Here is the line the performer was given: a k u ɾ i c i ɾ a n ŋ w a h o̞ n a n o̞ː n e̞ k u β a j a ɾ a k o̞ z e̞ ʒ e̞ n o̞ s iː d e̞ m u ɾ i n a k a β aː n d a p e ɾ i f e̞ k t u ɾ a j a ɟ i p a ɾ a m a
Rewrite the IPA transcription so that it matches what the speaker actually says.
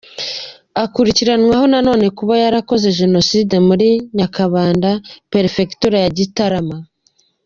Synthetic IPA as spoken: a k u ɾ i c i ɾ a n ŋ w a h o̞ n a n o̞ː n e̞ k u β a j a ɾ a k o̞ z e̞ ʒ e̞ n o̞ s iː d e̞ m u ɾ i ɲ a k a β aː n d a p e ɾ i f e̞ k t u ɾ a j a ɟ i t a ɾ a m a